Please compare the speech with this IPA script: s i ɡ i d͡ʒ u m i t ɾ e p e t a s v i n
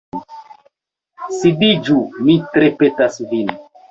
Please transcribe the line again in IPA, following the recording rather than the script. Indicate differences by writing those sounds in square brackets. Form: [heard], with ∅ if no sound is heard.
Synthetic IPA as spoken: s i [d] i d͡ʒ u m i t ɾ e p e t a s v i n